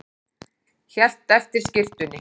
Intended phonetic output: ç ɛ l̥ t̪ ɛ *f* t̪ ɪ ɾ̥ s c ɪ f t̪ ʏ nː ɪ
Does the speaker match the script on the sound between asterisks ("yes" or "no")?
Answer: yes